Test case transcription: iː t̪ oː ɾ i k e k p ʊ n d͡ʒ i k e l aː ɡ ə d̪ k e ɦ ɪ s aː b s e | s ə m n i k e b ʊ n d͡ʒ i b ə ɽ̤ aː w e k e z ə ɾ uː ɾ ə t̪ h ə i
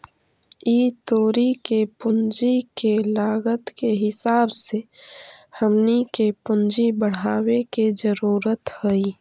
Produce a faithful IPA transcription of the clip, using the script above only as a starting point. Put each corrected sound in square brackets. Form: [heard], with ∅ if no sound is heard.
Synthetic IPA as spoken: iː t̪ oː ɾ i k e [∅] p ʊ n d͡ʒ i k e l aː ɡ ə [t̪] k e ɦ ɪ s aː b s e | [h] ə m n i k e [p] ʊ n d͡ʒ i b ə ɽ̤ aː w e k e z ə ɾ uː ɾ ə t̪ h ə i